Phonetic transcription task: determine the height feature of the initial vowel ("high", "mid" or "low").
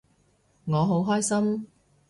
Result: mid